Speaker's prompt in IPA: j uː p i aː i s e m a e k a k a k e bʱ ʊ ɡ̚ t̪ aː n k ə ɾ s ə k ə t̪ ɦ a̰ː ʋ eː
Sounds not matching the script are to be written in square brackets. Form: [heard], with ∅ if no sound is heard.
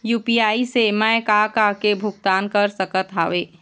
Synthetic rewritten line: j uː p i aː i s e m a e k a k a k e bʱ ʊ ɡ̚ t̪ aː n k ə ɾ s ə k ə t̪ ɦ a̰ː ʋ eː